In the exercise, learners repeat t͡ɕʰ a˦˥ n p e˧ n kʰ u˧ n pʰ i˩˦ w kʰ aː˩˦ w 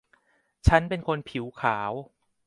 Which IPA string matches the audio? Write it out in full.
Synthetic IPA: t͡ɕʰ a˦˥ n p e˧ n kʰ o˧ n pʰ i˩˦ w kʰ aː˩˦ w